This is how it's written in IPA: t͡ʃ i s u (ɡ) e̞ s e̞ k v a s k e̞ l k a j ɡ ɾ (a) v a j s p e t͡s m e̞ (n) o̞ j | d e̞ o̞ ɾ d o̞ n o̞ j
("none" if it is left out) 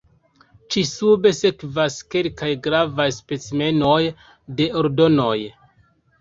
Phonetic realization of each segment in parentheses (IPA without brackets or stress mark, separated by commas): b, a, n